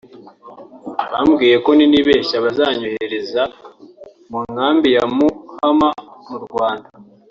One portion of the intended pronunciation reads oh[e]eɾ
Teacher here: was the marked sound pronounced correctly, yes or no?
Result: yes